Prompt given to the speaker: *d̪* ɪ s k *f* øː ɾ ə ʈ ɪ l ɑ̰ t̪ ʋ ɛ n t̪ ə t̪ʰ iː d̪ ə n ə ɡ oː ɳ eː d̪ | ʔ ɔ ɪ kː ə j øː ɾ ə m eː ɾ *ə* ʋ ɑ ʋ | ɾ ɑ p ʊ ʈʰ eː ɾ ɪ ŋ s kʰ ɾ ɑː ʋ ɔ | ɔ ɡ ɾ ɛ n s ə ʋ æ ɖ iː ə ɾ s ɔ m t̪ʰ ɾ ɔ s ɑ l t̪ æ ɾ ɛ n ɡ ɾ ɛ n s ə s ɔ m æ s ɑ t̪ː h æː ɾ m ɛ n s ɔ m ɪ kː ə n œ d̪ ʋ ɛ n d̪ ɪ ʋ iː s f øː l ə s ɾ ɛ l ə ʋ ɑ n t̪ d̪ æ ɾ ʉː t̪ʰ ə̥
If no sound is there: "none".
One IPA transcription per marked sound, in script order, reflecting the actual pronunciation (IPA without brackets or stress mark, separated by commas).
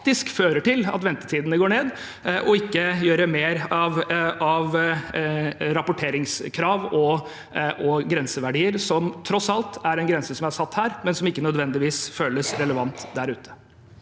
t̪, f, ɑ